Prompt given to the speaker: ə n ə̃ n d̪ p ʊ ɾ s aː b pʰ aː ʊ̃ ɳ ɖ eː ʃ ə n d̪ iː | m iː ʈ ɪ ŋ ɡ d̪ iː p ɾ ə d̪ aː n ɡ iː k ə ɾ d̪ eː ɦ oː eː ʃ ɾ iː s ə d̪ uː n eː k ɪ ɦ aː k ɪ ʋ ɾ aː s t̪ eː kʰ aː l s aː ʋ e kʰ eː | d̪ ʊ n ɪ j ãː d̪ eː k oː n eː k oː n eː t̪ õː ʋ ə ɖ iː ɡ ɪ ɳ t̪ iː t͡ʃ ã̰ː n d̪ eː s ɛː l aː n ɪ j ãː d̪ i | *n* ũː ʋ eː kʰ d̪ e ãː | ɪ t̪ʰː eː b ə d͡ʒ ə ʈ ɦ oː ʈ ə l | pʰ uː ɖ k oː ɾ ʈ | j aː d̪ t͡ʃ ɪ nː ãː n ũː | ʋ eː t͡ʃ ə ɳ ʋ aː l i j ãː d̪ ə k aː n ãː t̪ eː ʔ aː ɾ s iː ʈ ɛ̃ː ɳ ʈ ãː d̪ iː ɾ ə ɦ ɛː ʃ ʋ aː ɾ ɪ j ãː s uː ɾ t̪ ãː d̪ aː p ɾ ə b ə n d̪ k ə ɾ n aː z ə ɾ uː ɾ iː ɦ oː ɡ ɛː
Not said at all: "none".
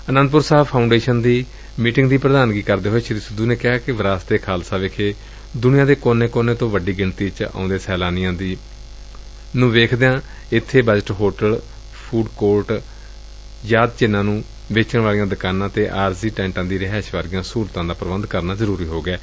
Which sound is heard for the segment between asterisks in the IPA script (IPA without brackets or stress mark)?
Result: n